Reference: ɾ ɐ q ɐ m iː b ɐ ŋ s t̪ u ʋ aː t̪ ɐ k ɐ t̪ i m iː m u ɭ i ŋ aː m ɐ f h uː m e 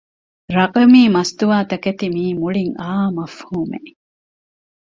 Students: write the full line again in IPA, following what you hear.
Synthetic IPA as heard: ɾ ɐ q ɐ m iː m ɐ s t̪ u ʋ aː t̪ ɐ k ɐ t̪ i m iː m u ɭ i ŋ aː m ɐ f h uː m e